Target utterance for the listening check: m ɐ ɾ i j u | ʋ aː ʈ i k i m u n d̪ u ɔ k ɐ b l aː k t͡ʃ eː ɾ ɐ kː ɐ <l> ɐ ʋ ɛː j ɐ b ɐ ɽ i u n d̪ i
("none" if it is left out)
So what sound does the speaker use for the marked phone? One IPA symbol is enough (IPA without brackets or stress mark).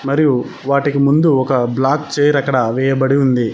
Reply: ɽ